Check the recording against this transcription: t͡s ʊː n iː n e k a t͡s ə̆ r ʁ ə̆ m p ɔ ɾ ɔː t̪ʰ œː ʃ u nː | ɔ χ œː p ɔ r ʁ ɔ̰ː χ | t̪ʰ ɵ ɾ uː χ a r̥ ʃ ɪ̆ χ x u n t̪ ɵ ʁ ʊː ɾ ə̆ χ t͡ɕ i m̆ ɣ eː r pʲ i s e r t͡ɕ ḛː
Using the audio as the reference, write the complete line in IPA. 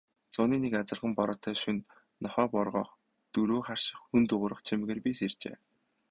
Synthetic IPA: t͡s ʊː n iː n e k a t͡s ə̆ r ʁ ə̆ m p ɔ ɾ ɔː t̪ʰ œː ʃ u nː | ɔ χ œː p ɔ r ʁ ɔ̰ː χ | t̪ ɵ ɾ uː χ a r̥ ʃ ɪ̆ χ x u n t̪ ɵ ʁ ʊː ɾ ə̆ χ t͡ɕʰ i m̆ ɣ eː r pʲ i s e r t͡ɕ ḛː